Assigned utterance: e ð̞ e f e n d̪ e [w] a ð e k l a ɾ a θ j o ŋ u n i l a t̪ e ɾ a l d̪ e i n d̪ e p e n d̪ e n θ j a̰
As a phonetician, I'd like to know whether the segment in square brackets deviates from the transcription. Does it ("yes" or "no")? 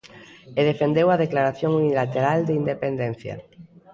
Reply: no